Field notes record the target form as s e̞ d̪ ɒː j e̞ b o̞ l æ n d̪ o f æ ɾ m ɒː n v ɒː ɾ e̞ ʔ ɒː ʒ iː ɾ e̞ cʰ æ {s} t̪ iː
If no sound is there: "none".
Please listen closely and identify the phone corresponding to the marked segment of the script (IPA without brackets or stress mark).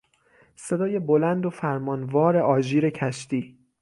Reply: ʃ